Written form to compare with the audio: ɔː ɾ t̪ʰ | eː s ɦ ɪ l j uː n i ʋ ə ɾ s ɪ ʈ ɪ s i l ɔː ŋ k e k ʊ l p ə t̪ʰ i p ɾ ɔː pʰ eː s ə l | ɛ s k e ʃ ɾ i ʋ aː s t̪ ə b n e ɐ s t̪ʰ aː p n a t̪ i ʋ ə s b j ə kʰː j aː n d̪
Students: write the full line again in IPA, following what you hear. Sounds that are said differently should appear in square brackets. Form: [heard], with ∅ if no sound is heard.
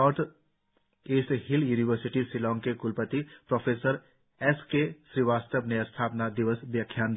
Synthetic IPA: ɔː ɾ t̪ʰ | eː s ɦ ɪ l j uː n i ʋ ə ɾ s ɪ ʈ [i] s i l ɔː ŋ k e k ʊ l p ə [t̪] i p ɾ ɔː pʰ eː s ə [ɾ] | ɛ s k e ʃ ɾ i ʋ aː s t̪ ə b n e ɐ s t̪ʰ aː p n a [d̪] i ʋ ə s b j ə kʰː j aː n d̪